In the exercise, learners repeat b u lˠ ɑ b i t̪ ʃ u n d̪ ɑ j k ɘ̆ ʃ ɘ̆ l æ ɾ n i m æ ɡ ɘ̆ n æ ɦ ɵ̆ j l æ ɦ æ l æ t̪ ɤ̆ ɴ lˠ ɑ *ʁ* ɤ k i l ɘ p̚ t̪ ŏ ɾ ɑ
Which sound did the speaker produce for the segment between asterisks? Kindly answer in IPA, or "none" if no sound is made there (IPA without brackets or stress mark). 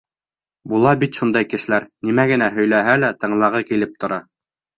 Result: ʁ